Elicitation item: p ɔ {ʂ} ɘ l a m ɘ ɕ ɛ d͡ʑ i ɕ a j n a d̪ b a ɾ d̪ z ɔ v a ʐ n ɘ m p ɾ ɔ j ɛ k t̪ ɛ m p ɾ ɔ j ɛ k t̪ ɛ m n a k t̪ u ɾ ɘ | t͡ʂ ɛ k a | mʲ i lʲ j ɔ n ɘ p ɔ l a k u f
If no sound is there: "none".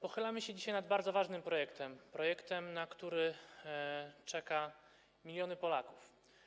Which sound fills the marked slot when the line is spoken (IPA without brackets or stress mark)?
x